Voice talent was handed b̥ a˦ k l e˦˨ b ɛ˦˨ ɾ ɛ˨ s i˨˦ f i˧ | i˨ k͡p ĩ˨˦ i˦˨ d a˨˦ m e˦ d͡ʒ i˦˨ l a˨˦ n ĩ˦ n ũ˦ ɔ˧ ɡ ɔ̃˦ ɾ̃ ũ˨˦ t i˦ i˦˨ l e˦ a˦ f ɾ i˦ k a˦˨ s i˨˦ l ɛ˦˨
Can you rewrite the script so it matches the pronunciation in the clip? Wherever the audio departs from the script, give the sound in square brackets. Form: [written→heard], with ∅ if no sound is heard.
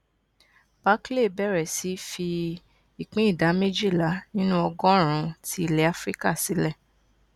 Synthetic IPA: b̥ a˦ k l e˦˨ b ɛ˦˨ ɾ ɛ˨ s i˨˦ f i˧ | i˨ k͡p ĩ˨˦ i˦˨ d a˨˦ m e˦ d͡ʒ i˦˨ l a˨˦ n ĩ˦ n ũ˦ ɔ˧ ɡ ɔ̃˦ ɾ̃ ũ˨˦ t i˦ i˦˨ l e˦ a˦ f ɾ i˦ k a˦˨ s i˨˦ l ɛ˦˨